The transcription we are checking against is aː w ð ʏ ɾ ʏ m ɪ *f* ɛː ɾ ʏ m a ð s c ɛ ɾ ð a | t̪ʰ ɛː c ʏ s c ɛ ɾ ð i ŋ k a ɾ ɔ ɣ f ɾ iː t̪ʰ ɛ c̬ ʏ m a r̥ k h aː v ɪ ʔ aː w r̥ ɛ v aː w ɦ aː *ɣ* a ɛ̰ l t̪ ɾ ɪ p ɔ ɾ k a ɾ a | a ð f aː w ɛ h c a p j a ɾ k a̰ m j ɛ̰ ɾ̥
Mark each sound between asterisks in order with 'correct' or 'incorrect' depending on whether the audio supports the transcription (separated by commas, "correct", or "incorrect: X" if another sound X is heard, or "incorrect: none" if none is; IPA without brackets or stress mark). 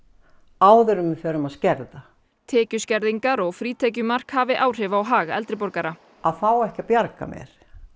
correct, correct